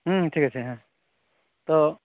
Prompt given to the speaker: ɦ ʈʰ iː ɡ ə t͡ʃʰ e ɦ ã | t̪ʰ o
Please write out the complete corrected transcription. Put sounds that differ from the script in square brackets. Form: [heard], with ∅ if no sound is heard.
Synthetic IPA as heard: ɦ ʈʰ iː [k] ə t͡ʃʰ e ɦ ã | [t̪] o